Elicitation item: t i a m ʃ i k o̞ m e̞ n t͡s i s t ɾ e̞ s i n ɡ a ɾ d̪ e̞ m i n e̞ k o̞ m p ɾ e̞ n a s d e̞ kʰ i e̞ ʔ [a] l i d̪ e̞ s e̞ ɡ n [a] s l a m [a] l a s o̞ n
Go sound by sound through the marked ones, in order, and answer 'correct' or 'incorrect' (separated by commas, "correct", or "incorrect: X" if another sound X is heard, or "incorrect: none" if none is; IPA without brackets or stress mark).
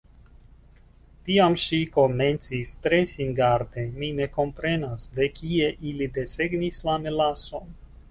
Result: incorrect: i, incorrect: i, incorrect: e